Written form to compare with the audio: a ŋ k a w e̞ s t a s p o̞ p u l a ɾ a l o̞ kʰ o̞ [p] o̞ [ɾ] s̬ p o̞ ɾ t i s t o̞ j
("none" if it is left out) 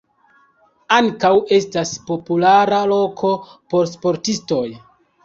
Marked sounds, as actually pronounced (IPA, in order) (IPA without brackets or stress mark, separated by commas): p, ɾ